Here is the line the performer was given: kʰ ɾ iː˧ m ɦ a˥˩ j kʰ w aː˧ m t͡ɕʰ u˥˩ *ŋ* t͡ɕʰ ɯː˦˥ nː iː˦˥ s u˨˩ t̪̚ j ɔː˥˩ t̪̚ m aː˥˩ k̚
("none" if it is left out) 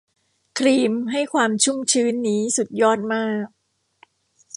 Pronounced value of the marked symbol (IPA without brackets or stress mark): m